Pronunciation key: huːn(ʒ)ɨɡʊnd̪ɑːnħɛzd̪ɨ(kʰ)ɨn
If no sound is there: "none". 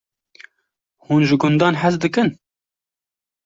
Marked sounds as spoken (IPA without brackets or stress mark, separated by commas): ʒ, k